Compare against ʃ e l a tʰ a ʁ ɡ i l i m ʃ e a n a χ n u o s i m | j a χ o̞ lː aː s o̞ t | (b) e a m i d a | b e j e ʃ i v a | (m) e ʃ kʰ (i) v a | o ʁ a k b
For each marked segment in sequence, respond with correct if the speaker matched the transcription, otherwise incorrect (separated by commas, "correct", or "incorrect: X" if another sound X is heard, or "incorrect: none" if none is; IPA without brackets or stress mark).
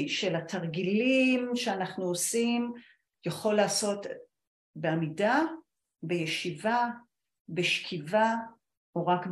correct, incorrect: b, correct